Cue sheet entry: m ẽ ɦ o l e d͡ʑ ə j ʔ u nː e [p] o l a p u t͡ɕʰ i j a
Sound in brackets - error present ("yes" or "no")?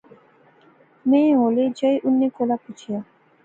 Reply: yes